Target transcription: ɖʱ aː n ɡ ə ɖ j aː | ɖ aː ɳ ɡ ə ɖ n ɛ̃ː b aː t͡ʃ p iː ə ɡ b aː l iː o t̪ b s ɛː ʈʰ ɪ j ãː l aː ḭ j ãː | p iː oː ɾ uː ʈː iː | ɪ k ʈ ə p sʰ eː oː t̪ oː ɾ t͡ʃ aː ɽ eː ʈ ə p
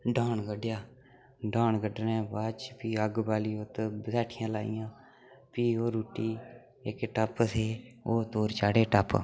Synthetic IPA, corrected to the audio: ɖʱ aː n ɡ ə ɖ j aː | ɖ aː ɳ ɡ ə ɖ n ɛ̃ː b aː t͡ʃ p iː ə ɡ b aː l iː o t̪ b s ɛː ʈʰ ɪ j ãː l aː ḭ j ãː | p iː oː ɾ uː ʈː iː | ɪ k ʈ ə p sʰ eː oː t̪ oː ɾ t͡ʃ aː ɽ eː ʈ ə p

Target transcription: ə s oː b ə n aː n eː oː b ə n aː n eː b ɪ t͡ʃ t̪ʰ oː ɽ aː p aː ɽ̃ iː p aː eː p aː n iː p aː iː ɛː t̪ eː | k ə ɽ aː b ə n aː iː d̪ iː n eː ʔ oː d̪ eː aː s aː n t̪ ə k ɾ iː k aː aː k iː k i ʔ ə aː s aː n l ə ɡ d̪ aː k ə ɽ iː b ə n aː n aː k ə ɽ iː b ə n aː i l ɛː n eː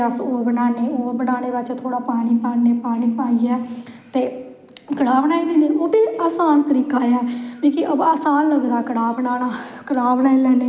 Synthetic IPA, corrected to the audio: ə s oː b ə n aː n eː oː b ə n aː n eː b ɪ t͡ʃ t̪ʰ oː ɽ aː p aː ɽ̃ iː p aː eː p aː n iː p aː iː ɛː t̪ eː | k ə ɽ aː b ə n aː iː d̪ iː n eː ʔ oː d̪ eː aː s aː n t̪ ə ɾ iː k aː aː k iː k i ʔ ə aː s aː n l ə ɡ d̪ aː k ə ɽ aː b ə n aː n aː k ə ɽ aː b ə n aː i l ɛː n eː

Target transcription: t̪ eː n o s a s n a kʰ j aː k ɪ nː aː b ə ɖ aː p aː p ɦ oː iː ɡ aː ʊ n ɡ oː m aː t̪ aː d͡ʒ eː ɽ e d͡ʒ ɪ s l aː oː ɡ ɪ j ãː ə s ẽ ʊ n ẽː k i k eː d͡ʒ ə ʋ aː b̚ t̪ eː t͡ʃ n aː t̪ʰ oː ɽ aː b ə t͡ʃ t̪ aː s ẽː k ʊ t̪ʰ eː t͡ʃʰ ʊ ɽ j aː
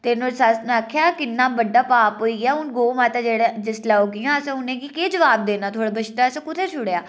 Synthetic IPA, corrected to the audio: t̪ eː n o s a s n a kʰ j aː k ɪ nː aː b ə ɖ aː p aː p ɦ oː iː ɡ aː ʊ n ɡ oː m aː t̪ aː d͡ʒ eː ɽ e d͡ʒ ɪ s l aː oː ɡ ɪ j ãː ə s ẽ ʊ n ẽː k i k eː d͡ʒ ə ʋ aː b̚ d̪ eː n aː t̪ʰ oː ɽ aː b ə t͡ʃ t̪ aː s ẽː k ʊ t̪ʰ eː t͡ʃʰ ʊ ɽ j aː

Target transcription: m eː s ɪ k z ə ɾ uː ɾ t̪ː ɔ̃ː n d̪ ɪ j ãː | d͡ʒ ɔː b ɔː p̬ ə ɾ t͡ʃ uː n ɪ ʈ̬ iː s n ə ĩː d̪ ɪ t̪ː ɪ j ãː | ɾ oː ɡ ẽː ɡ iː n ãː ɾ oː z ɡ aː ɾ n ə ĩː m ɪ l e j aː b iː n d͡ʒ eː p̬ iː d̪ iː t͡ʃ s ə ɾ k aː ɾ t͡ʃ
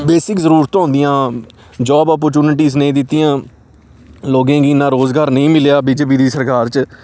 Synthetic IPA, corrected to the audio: b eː s ɪ k z ə ɾ uː ɾ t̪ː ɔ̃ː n d̪ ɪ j ãː | d͡ʒ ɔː b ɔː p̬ ə ɾ t͡ʃ uː n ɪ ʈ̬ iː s n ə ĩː d̪ ɪ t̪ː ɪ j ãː | l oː ɡ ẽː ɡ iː n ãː ɾ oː z ɡ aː ɾ n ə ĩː m ɪ l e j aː b iː d͡ʒ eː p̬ iː d̪ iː s ə ɾ k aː ɾ t͡ʃ

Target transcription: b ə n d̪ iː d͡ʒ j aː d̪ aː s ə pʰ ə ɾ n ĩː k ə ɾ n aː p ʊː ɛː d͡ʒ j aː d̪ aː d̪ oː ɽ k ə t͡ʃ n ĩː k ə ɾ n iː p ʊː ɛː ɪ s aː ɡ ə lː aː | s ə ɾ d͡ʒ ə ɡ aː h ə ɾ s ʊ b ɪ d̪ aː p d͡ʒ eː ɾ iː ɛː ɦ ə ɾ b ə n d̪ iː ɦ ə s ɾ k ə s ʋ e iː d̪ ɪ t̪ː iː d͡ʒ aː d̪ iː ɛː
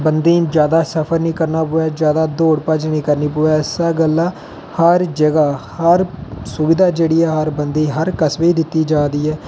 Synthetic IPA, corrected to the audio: b ə n d̪ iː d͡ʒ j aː d̪ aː s ə pʰ ə ɾ n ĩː k ə ɾ n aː p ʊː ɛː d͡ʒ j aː d̪ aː d̪ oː ɽ p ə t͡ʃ n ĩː k ə ɾ n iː p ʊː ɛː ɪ s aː ɡ ə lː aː | h ə ɾ d͡ʒ ə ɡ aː h ə ɾ s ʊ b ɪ d̪ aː d͡ʒ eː ɽ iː ɛː ɦ ə ɾ b ə n d̪ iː ɦ ə ɾ k ə s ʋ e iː d̪ ɪ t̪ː iː d͡ʒ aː d̪ iː ɛː

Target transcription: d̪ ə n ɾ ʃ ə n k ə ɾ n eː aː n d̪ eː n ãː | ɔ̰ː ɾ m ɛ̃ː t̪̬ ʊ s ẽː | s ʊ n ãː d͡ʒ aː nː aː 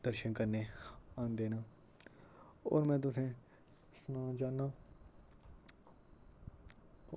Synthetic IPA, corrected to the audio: d̪ ə ɾ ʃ ə n k ə ɾ n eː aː n d̪ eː n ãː | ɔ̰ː ɾ m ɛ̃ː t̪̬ ʊ s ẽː | s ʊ n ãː d͡ʒ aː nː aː

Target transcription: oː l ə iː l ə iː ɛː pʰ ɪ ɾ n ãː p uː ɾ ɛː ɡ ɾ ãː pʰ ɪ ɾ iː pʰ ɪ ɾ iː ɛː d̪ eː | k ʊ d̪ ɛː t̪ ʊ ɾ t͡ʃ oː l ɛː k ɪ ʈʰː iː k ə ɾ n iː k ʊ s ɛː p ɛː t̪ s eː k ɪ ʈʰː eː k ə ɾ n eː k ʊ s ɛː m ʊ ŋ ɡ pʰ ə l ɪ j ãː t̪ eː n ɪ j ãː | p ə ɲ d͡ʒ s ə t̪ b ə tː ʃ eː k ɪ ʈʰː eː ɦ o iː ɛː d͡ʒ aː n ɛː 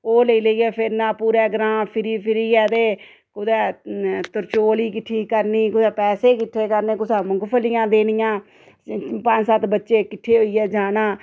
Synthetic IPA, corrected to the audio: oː l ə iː l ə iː ɛː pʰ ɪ ɾ n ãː p uː ɾ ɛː ɡ ɾ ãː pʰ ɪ ɾ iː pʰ ɪ ɾ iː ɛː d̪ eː | k ʊ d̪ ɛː t̪ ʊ ɾ t͡ʃ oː l iː k ɪ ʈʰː iː k ə ɾ n iː k ʊ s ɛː p ɛː s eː k ɪ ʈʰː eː k ə ɾ n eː k ʊ s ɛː m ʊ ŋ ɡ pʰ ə l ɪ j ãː d̪ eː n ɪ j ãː | p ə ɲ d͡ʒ s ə t̪ b ə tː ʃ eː k ɪ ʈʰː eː ɦ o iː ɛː d͡ʒ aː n aː

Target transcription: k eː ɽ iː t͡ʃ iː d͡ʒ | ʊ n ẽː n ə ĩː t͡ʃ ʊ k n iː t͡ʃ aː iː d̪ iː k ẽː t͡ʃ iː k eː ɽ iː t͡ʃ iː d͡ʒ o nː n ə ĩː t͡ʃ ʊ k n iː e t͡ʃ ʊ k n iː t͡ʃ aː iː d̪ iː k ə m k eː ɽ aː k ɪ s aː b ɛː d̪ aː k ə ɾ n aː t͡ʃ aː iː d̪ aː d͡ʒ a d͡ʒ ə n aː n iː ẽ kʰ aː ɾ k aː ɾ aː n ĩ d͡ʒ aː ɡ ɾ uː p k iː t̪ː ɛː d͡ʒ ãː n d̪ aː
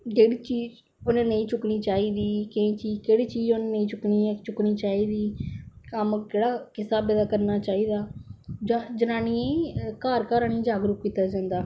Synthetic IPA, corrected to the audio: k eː ɽ iː t͡ʃ iː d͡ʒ | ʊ n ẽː n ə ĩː t͡ʃ ʊ k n iː t͡ʃ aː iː d̪ iː k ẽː t͡ʃ iː k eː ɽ iː t͡ʃ iː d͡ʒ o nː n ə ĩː t͡ʃ ʊ k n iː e t͡ʃ ʊ k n iː t͡ʃ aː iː d̪ iː k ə m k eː ɽ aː k ɪ s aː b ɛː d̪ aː k ə ɾ n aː t͡ʃ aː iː d̪ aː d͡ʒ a d͡ʒ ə n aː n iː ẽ k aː ɾ k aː ɾ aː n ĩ d͡ʒ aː ɡ ɾ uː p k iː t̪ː aː d͡ʒ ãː n d̪ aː

